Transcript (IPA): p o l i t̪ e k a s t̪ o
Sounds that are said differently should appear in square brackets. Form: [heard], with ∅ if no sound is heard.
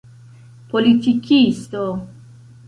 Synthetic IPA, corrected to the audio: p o l i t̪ [i] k [i] s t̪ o